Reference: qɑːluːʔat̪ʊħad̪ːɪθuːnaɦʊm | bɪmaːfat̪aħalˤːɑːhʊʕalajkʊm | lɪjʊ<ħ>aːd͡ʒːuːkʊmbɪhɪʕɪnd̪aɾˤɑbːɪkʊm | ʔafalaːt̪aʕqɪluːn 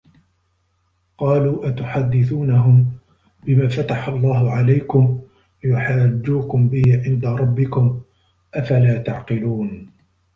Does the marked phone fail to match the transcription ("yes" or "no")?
no